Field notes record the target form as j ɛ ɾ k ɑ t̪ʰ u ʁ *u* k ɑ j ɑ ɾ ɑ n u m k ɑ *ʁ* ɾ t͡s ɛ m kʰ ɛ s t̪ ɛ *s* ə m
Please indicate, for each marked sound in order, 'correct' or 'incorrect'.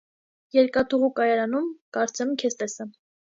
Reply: correct, incorrect: none, correct

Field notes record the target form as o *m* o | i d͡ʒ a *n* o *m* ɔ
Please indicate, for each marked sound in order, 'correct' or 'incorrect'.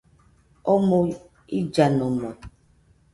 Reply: correct, correct, correct

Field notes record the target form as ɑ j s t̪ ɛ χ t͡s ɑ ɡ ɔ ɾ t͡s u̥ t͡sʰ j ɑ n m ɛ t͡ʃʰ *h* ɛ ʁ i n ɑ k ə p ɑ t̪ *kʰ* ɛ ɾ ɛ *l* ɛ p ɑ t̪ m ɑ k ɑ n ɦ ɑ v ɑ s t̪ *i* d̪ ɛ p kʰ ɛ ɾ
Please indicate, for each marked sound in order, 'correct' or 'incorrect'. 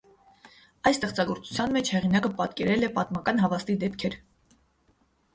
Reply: correct, incorrect: k, correct, correct

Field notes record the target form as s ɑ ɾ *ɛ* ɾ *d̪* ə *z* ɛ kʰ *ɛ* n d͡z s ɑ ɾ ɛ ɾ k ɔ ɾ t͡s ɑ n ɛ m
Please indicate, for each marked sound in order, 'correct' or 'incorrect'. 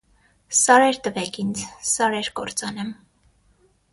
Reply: correct, incorrect: t̪, incorrect: v, incorrect: i

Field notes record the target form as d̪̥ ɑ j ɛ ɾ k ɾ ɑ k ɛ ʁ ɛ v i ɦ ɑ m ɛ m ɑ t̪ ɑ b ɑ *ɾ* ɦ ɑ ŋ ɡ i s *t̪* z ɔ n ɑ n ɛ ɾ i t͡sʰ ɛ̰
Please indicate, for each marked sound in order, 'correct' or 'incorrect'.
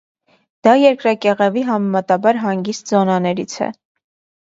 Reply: correct, correct

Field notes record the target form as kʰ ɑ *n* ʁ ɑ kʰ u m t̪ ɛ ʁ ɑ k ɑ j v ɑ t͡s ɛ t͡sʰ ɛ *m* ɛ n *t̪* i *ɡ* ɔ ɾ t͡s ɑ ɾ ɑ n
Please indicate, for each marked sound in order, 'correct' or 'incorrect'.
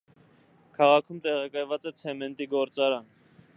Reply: incorrect: none, correct, correct, correct

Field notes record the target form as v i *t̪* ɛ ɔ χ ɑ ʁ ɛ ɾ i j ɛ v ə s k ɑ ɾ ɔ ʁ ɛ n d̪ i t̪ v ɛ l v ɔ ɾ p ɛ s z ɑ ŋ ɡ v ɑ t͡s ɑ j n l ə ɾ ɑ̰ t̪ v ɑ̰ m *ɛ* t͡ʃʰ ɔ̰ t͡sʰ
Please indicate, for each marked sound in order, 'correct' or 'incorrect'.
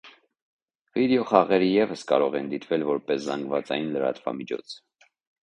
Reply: incorrect: d̪, incorrect: i

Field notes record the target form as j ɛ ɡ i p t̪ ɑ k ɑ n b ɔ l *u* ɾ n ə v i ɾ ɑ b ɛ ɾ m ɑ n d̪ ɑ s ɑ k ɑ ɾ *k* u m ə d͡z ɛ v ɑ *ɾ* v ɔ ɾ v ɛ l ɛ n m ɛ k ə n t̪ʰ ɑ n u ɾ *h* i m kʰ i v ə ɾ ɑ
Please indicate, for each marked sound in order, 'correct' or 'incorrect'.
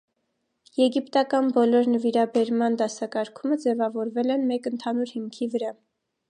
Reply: incorrect: ɔ, incorrect: kʰ, incorrect: none, correct

